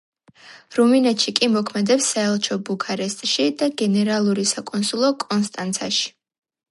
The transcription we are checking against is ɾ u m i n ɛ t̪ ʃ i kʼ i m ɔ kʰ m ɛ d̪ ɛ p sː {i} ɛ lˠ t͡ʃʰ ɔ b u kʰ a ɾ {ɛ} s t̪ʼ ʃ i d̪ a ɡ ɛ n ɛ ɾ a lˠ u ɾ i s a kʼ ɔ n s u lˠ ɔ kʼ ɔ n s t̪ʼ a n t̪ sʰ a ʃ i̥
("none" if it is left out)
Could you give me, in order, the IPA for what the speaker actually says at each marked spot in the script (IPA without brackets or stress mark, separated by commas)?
a, ɛ